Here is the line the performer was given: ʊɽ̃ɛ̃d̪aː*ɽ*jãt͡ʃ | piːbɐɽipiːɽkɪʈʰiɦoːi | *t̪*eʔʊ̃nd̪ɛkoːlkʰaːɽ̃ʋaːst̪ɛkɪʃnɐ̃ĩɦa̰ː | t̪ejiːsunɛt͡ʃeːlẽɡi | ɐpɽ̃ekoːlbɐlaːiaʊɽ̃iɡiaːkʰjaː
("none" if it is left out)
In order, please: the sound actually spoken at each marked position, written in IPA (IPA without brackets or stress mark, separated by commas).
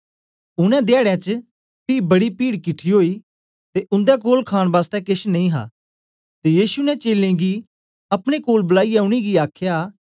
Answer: ɽ, t̪